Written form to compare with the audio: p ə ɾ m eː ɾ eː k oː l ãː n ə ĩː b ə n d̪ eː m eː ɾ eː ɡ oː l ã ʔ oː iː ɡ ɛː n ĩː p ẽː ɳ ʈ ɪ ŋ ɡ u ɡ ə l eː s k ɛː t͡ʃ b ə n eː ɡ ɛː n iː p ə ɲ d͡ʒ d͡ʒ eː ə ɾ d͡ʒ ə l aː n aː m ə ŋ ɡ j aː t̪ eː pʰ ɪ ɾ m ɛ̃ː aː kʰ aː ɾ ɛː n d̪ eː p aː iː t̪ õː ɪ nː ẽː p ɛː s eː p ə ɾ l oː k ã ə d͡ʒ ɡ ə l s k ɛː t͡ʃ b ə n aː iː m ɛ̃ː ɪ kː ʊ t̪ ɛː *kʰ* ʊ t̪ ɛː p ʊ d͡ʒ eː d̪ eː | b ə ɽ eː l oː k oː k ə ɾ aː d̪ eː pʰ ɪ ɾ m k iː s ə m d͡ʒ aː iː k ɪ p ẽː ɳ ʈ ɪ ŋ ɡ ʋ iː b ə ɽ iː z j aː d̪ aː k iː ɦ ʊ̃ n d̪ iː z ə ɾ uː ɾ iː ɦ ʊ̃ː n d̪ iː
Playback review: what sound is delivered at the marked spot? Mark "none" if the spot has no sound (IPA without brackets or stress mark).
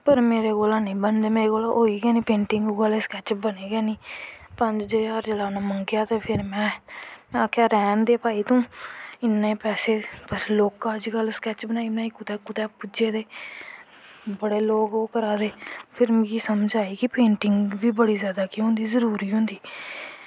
k